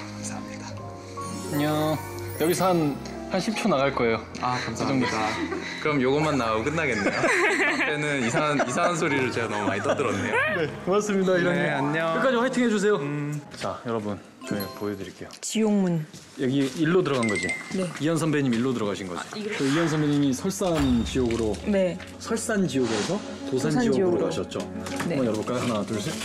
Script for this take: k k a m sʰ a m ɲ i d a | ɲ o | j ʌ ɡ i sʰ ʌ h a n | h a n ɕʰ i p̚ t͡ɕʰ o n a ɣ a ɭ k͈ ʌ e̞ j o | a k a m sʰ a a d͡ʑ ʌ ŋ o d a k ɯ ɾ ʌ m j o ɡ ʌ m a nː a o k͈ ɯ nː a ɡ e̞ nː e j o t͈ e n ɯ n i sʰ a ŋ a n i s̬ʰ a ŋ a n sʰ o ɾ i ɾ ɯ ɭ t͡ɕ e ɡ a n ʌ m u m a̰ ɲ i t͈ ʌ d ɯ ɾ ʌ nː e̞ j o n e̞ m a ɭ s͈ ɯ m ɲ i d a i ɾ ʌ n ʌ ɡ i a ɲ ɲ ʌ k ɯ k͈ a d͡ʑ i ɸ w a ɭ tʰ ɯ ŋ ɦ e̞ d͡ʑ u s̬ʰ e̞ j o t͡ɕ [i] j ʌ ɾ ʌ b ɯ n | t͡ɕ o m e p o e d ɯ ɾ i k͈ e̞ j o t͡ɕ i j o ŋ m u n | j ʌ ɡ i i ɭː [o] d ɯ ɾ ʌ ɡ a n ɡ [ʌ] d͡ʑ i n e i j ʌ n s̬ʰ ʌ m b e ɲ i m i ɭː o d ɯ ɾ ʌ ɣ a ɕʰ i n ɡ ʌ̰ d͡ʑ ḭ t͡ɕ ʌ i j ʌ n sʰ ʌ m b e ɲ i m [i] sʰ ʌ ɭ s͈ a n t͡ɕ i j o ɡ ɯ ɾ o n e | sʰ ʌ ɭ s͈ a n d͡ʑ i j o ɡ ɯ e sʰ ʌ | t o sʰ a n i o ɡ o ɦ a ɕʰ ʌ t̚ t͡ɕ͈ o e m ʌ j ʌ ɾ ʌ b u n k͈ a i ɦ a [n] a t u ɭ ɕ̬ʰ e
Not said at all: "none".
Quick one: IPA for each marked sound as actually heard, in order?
a, o, ʌ, i, n

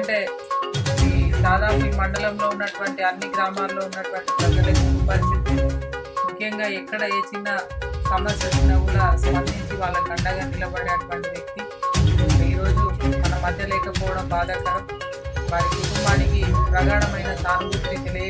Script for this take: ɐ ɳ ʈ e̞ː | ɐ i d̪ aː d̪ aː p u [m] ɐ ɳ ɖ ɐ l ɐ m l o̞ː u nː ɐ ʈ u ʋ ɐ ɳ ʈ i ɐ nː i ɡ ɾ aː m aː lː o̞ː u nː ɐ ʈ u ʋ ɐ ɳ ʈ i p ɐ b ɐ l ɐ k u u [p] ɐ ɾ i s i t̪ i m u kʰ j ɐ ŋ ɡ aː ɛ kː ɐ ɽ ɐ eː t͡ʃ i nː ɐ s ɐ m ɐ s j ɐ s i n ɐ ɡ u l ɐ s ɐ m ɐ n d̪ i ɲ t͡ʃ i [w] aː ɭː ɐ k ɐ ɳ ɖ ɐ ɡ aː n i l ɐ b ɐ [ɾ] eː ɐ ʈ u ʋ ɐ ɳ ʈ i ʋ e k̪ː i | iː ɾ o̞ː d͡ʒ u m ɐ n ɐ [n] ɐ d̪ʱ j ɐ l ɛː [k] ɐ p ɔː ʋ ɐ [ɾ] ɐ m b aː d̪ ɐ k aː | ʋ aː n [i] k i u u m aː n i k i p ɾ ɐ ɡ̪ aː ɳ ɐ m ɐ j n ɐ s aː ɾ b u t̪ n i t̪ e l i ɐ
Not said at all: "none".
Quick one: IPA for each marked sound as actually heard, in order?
m, p, ʋ, ɽ, m, k, ɽ, i

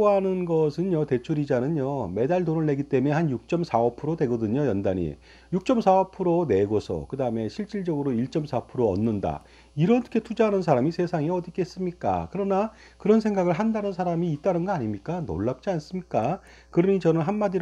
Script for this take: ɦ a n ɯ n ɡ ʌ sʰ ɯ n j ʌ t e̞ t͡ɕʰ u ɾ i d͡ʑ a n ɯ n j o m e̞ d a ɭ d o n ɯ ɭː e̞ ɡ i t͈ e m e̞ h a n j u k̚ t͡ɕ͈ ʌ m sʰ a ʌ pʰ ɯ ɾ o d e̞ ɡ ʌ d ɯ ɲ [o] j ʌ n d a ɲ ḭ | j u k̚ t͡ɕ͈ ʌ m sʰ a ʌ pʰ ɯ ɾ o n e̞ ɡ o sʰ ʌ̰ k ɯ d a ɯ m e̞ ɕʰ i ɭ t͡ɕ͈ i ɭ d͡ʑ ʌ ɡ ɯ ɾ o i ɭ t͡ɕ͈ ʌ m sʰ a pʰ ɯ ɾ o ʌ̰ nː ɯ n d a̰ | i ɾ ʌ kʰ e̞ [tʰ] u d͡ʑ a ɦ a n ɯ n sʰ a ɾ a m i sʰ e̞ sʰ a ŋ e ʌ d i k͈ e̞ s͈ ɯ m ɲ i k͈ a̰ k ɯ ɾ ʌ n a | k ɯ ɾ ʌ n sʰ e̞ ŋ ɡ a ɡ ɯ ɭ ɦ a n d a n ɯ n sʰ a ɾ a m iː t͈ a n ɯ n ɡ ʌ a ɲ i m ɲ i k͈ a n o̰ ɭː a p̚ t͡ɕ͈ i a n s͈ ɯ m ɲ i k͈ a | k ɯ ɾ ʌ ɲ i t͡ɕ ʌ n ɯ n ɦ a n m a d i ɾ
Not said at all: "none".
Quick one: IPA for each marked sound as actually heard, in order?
o, tʰ

